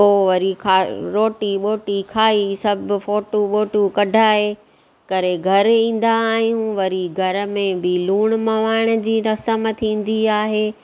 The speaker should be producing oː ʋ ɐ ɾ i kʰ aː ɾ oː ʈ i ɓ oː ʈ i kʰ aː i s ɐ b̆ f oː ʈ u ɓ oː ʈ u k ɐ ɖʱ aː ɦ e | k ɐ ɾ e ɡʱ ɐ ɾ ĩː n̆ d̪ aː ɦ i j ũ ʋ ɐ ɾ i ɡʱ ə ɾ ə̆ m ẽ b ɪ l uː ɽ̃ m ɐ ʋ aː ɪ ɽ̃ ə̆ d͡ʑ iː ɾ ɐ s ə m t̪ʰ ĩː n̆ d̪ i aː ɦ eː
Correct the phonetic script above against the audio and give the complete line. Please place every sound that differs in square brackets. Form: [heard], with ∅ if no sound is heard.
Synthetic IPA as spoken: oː ʋ ɐ ɾ i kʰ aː ɾ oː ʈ i ɓ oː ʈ i kʰ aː i s ɐ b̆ f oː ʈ u ɓ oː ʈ u k ɐ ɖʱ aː ɦ e | k ɐ ɾ e ɡʱ ɐ ɾ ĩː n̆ d̪ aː ɦ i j ũ ʋ ɐ ɾ i ɡʱ [ɐ] ɾ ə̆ m ẽ b ɪ l uː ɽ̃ m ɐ ʋ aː ɪ ɽ̃ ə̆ d͡ʑ iː ɾ ɐ s ə m t̪ʰ ĩː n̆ d̪ i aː ɦ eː